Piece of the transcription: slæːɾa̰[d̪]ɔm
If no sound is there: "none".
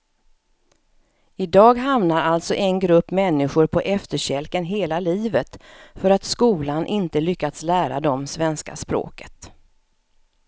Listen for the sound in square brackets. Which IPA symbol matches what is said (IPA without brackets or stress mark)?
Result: d̪